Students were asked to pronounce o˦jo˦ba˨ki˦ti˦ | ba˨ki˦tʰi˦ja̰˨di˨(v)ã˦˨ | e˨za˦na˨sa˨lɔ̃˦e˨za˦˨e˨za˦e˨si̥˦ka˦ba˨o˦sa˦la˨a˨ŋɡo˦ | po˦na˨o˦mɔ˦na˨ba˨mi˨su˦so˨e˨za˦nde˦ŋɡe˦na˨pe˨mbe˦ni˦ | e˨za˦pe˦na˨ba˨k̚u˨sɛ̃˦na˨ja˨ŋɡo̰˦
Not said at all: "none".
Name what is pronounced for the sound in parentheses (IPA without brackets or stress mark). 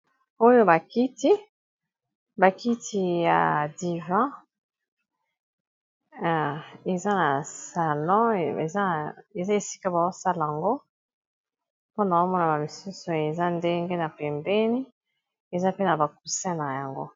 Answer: v